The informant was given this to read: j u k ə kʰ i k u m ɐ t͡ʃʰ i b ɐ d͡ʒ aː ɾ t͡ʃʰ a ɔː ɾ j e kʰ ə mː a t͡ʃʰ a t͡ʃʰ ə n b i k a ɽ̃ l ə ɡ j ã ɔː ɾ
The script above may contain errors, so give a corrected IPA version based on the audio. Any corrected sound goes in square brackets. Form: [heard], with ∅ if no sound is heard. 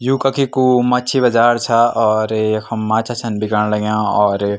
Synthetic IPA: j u k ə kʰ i k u m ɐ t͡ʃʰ i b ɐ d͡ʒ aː ɾ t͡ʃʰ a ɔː ɾ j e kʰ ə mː a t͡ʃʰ a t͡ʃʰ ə n b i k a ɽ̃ l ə ɡ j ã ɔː ɾ